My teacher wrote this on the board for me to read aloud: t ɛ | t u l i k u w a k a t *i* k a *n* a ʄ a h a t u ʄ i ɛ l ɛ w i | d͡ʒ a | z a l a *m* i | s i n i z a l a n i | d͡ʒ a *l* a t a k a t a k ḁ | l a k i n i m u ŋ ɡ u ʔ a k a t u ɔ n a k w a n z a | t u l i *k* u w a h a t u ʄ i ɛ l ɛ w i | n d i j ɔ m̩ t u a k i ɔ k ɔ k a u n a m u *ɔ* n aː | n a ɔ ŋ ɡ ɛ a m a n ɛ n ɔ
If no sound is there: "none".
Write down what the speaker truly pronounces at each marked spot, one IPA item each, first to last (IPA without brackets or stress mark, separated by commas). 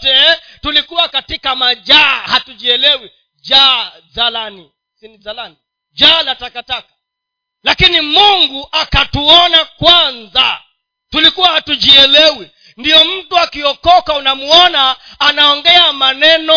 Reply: i, m, n, l, k, ɔ